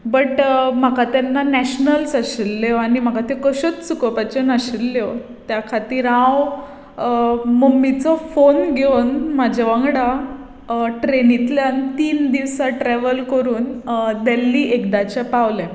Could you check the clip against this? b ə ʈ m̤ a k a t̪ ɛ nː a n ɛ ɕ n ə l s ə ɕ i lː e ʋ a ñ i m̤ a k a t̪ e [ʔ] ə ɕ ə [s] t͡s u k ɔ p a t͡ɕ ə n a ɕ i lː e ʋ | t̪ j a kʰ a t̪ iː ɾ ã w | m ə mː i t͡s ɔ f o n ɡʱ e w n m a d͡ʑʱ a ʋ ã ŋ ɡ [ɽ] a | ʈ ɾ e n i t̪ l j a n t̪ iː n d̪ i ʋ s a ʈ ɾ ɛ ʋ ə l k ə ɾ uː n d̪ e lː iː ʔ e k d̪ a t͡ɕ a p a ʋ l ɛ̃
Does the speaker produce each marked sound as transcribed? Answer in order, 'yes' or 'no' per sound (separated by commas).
no, no, yes